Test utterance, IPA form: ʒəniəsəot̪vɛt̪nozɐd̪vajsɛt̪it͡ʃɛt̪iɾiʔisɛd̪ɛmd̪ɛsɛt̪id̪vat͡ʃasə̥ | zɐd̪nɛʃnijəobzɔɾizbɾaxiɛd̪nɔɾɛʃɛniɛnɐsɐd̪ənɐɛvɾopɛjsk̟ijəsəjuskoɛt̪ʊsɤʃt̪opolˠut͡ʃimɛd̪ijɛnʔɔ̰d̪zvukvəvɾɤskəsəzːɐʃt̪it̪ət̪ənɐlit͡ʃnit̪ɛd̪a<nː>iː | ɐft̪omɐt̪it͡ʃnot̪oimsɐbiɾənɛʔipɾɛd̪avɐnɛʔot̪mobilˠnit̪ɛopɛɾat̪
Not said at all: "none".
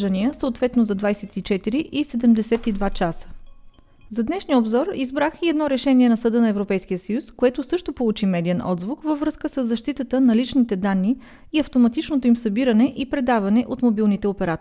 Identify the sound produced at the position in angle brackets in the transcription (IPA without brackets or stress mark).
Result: nː